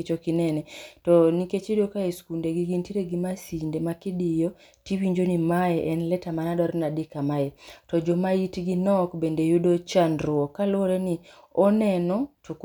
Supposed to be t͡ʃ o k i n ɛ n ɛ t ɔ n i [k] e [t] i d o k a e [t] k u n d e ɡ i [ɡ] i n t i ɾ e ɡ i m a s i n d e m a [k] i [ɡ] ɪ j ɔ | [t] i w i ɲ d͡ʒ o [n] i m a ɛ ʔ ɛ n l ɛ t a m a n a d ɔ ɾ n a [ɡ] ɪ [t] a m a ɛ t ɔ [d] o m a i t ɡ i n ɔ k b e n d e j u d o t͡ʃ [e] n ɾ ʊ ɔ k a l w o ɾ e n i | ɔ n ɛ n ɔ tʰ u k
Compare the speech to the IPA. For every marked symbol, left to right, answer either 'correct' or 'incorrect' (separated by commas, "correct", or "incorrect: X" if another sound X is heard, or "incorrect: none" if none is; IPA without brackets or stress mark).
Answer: correct, incorrect: t͡ʃ, incorrect: s, correct, correct, incorrect: d, correct, correct, incorrect: d, incorrect: k, incorrect: d͡ʒ, incorrect: a